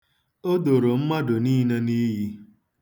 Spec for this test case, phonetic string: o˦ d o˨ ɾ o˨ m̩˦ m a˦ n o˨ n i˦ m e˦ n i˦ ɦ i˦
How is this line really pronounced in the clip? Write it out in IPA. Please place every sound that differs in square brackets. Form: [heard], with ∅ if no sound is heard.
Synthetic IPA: o˦ d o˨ ɾ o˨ m̩˦ m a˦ [d] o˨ n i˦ [n] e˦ n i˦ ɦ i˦